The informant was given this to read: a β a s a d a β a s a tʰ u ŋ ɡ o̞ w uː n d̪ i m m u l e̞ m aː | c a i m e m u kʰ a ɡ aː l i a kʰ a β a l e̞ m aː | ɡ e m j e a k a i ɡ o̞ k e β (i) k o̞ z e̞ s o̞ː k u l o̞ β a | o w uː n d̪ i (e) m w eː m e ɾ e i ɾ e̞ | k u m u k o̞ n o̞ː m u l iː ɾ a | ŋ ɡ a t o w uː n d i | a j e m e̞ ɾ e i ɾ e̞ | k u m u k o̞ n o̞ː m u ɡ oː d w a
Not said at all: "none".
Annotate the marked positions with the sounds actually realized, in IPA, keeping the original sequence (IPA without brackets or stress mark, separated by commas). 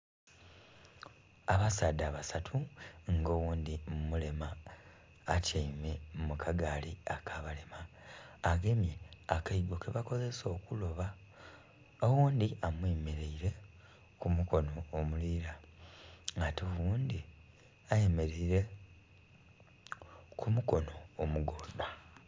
a, a